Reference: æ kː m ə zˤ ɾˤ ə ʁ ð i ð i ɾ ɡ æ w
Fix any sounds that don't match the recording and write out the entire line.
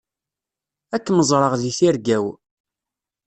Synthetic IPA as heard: æ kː m ə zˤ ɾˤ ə ʁ ð i θ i ɾ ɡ æ w